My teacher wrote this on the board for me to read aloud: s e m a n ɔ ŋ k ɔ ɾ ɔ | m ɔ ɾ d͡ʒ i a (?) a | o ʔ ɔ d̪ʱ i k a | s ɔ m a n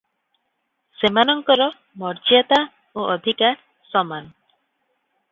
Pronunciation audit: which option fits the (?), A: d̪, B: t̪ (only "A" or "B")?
B